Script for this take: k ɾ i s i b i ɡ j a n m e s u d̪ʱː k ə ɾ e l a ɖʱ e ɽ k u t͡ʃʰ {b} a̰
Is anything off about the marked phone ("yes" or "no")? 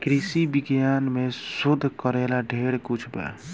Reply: no